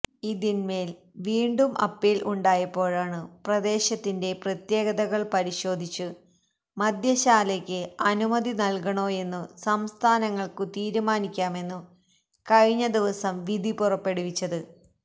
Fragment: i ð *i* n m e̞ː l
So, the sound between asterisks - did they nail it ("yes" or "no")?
yes